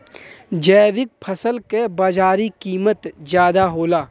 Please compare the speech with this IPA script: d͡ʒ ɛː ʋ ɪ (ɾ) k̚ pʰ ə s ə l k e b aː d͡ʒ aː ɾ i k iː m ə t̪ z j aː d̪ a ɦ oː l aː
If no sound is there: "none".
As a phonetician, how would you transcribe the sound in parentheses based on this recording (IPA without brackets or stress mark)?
none